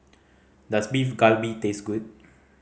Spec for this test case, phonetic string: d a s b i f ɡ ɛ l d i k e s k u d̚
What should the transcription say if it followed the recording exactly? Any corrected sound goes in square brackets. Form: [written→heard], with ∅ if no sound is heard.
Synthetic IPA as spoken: d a s b i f ɡ [ɛ→a] l [d→b] i [k→t] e s [k→ɡ] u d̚